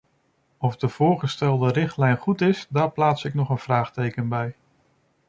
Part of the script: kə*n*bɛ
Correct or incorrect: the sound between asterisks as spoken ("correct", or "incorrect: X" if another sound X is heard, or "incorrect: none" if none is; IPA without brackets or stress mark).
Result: correct